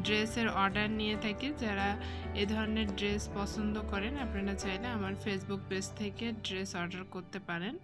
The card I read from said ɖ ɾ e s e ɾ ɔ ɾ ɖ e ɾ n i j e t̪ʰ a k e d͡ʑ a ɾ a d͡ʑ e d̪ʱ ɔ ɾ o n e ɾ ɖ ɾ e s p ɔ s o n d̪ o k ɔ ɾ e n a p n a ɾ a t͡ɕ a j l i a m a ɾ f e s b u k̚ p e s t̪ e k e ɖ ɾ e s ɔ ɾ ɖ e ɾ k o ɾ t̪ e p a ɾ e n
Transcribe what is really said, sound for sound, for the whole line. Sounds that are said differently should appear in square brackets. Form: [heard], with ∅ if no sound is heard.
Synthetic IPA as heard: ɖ ɾ e s e ɾ ɔ ɾ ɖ [a] ɾ n i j e t̪ʰ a k e d͡ʑ a ɾ a [∅] e d̪ʱ ɔ ɾ o n e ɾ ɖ ɾ e s p ɔ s o n d̪ o k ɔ ɾ e n a p n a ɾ a t͡ɕ a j l [e] a m a ɾ f e s b u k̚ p e s [t̪ʰ] e k e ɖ ɾ e s ɔ ɾ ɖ [a] ɾ k o ɾ t̪ e p a ɾ e n

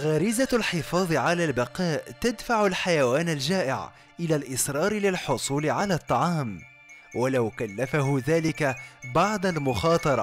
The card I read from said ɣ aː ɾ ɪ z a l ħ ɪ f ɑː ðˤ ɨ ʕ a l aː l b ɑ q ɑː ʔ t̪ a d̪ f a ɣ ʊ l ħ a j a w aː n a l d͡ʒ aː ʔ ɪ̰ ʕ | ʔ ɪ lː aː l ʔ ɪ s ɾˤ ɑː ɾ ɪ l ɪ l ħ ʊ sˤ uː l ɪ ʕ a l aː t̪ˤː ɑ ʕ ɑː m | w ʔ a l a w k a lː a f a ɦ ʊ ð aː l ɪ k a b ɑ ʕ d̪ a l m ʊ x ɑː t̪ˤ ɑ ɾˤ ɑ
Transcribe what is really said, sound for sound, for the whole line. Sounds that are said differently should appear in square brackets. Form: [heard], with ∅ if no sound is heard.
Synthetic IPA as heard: ɣ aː ɾ ɪ z a l ħ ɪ f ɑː ðˤ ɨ ʕ a l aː l b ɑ q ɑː ʔ t̪ a d̪ f a [ʕ] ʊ l ħ a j a w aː n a l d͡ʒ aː ʔ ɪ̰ ʕ | ʔ ɪ [l] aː l ʔ ɪ s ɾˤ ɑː ɾ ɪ l ɪ l ħ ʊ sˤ uː l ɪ ʕ a l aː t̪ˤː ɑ ʕ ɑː m | w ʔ a l a w k a lː a f a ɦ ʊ ð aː l ɪ k a b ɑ ʕ d̪ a l m ʊ x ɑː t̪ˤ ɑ ɾˤ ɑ

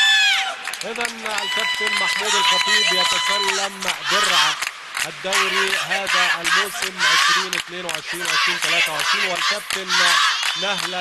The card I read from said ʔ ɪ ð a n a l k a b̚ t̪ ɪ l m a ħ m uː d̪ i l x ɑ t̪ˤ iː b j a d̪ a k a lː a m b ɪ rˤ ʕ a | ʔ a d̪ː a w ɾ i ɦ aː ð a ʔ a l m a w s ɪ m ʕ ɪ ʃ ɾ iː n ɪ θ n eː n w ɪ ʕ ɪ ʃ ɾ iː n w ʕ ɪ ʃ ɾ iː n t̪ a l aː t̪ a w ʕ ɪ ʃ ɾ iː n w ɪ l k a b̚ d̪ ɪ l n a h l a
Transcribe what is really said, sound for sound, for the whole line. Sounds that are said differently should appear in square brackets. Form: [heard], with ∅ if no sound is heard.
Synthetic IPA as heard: ʔ ɪ ð a n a l k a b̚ t̪ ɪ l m a ħ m uː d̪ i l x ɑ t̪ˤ iː b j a [t̪] a k a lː a m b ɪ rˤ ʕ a | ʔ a d̪ː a w ɾ i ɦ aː ð a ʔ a l m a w s ɪ m ʕ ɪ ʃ ɾ iː n ɪ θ n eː n w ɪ ʕ ɪ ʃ ɾ iː n w ʕ ɪ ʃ ɾ iː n t̪ a l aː t̪ a w ʕ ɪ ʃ ɾ iː n w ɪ l k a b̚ [t̪] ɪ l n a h l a

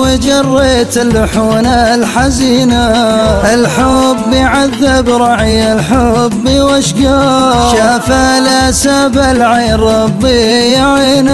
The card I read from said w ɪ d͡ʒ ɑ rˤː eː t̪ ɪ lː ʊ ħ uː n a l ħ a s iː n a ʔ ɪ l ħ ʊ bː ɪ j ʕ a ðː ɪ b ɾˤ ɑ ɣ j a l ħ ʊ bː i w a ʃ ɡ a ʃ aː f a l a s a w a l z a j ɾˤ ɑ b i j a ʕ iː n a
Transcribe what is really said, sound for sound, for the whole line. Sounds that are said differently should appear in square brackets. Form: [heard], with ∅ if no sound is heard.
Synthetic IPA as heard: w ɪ d͡ʒ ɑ rˤː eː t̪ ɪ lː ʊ ħ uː n a l ħ a [z] iː n a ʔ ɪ l ħ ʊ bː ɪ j ʕ a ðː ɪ b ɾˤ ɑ [ʕ] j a l ħ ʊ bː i w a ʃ ɡ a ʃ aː f a l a s a [b] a l [ʕ] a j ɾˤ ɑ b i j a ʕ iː n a

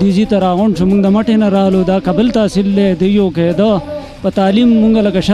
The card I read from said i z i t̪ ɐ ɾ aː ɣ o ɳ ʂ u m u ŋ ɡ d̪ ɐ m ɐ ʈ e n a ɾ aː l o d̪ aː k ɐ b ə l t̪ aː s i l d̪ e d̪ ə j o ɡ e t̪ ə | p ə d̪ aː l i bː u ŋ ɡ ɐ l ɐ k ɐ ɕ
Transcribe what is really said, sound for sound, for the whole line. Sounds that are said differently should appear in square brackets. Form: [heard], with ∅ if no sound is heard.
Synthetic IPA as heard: i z i t̪ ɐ ɾ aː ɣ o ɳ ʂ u m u ŋ ɡ d̪ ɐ m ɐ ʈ e n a ɾ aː l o d̪ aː k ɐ b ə l t̪ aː s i l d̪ e d̪ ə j o [k] e [d̪] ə | p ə [t̪] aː l i [mː] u ŋ ɡ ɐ l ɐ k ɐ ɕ

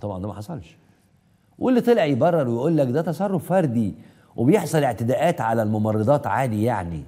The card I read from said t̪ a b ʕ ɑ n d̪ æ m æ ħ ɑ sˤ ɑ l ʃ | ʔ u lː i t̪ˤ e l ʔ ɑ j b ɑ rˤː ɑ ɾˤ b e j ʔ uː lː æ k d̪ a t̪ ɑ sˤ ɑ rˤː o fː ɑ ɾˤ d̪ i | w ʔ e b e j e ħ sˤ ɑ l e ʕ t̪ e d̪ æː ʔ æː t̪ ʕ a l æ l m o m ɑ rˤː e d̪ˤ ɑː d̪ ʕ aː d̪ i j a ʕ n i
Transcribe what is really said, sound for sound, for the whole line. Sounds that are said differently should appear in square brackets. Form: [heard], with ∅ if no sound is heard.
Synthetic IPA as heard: t̪ [ɑ] b ʕ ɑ n d̪ æ m æ ħ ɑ sˤ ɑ l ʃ | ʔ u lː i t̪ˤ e l ʔ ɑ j b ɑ rˤː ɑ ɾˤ [w] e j ʔ uː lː æ k d̪ [æ] t̪ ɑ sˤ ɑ rˤː o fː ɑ ɾˤ d̪ i | w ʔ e b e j e ħ sˤ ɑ l e ʕ t̪ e d̪ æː ʔ æː t̪ ʕ a l æ l m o m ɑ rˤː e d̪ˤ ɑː [t̪] ʕ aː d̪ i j a ʕ n i

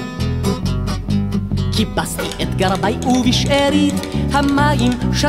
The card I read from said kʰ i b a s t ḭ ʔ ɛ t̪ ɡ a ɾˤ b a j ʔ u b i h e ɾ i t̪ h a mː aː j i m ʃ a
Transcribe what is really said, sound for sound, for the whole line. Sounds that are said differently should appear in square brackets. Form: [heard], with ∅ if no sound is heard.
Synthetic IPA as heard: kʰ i b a s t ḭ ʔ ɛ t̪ ɡ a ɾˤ b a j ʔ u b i [ʃ] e ɾ i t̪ h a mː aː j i m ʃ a

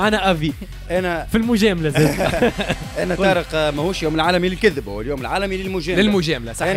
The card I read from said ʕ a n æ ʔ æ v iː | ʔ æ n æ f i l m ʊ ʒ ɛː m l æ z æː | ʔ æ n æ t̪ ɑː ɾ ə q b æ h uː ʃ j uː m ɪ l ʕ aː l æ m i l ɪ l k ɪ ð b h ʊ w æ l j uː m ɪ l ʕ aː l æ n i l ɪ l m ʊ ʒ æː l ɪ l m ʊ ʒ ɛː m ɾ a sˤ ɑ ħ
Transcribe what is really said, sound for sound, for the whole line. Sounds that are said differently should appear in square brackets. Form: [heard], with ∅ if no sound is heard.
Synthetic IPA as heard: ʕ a n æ ʔ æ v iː | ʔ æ n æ f i l m ʊ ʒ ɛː m l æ z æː | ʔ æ n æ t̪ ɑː ɾ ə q [m] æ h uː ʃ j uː m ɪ l ʕ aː l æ m i l ɪ l k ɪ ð b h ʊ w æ l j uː m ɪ l ʕ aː l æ [m] i l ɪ l m ʊ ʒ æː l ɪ l m ʊ ʒ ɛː m [l] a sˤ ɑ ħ

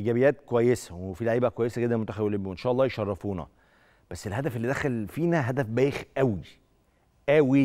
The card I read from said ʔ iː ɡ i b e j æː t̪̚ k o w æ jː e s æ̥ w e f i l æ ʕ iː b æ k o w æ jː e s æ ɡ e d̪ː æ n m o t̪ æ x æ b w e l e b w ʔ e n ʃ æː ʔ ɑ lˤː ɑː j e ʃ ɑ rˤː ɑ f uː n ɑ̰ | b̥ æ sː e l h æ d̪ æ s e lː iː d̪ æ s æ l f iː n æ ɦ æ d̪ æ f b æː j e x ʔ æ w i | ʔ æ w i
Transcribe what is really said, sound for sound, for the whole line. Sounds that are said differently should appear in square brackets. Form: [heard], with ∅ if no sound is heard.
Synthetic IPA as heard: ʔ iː ɡ [æ] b e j æː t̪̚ k o w æ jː e s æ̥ w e f i l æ ʕ iː b æ k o w æ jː e s æ ɡ e d̪ː æ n m o t̪ æ x æ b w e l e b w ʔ e n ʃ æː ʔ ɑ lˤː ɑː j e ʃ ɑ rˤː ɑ f uː n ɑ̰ | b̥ æ sː e l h æ d̪ æ [f] e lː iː d̪ æ [x] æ l f iː n æ ɦ æ d̪ æ f b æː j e x ʔ æ w i | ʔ æ w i

